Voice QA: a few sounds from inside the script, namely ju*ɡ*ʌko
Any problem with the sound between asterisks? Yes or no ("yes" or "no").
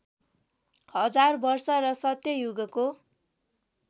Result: no